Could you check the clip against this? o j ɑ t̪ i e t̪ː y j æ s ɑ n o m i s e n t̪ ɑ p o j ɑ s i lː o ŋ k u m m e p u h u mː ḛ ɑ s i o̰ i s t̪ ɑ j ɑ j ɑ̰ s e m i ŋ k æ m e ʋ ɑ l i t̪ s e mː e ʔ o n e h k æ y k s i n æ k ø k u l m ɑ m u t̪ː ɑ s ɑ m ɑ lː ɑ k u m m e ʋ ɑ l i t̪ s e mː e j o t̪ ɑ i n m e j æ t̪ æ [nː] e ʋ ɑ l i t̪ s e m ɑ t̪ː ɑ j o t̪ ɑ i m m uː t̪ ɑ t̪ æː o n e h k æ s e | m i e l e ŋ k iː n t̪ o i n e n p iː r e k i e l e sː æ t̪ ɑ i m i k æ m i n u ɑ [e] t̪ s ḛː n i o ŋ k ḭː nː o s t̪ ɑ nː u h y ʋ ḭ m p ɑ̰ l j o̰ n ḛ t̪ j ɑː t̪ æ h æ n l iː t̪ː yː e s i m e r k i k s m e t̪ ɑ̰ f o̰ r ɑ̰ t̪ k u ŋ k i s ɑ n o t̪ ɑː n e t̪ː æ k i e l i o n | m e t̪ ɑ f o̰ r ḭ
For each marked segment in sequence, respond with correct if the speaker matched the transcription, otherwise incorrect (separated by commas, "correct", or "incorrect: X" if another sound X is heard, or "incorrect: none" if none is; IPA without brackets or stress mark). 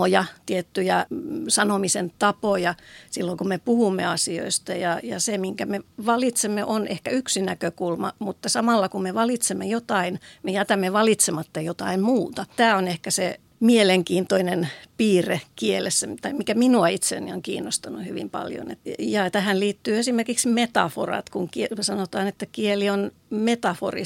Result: incorrect: mː, incorrect: i